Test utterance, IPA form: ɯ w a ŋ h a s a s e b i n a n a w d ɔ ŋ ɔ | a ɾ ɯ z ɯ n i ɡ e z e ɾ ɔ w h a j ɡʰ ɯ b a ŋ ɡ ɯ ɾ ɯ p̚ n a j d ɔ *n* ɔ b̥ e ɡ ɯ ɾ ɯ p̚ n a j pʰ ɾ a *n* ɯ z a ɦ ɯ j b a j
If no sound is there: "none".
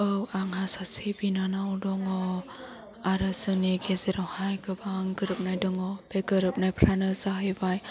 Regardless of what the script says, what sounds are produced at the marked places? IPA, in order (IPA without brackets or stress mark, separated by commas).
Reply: ŋ, n